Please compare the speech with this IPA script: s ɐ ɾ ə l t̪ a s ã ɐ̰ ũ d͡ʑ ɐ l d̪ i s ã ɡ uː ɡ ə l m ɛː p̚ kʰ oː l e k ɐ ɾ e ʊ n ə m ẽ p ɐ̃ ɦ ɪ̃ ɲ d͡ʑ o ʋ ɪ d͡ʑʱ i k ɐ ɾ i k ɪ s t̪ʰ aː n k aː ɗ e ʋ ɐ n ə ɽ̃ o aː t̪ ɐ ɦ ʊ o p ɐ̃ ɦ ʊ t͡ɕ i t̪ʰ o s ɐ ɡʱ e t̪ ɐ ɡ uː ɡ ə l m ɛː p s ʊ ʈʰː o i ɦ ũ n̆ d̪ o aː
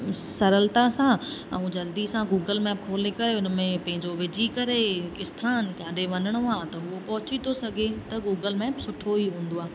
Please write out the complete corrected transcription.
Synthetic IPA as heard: s ɐ ɾ ə l t̪ a s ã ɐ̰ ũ d͡ʑ ɐ l d̪ i s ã ɡ uː ɡ ə l m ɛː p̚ kʰ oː l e k ɐ ɾ e ʊ n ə m ẽ p ɐ̃ ɦ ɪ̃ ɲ d͡ʑ o ʋ ɪ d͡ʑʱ i k ɐ ɾ e k ɪ s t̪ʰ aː n k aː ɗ e ʋ ɐ n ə ɽ̃ o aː t̪ ɐ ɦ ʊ o p ɐ ɦ ʊ t͡ɕ i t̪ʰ o s ɐ ɡʱ e t̪ ɐ ɡ uː ɡ ə l m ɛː p s ʊ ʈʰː o i ɦ ũː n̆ d̪ o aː